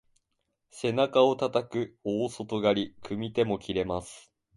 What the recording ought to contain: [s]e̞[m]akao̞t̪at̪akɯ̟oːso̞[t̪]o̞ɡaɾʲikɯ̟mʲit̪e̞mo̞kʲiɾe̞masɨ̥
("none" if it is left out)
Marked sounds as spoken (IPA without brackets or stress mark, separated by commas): s, n, t̪